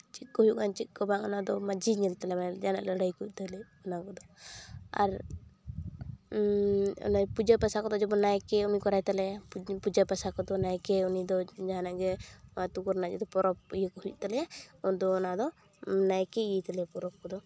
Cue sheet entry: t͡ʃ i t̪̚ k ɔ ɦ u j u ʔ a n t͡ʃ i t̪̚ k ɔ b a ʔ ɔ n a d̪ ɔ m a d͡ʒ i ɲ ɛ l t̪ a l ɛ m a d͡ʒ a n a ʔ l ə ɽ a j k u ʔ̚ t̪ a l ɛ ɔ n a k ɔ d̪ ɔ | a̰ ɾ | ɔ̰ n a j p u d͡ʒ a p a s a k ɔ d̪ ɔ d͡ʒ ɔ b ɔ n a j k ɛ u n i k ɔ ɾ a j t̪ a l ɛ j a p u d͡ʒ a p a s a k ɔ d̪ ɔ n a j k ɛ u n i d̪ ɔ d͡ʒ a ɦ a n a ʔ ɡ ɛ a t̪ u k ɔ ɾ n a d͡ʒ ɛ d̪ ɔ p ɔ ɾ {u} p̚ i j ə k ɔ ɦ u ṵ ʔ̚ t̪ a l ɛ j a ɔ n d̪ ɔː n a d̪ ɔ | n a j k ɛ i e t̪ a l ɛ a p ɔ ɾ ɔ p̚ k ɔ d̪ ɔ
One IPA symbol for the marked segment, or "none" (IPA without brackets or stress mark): ɔ